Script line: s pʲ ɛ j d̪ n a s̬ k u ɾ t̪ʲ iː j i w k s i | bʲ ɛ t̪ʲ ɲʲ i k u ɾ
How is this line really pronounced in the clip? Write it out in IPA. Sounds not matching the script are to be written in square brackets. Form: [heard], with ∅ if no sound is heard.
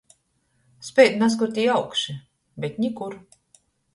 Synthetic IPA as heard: s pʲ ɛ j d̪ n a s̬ k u ɾ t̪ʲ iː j [a] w k [ʃ] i | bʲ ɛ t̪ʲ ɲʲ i k u ɾ